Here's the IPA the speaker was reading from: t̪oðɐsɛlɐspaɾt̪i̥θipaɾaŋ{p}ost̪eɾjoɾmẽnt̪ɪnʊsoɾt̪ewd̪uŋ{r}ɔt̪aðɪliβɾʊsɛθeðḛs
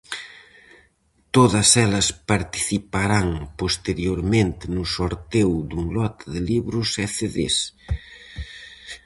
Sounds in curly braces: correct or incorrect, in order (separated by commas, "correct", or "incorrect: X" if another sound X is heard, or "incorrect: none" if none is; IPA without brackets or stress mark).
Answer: correct, incorrect: l